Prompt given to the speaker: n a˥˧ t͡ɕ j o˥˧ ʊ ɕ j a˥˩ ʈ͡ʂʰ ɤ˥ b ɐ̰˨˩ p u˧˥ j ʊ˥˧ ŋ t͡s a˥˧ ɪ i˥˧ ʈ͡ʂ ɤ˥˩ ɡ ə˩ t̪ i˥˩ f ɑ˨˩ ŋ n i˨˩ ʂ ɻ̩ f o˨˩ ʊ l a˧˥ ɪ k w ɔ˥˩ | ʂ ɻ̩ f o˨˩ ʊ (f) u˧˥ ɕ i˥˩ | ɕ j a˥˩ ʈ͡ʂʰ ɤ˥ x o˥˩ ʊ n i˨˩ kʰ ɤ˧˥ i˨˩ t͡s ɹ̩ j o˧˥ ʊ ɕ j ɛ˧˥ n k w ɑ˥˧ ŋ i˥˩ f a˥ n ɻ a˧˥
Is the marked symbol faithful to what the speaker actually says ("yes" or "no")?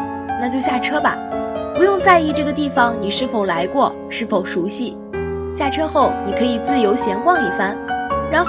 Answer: no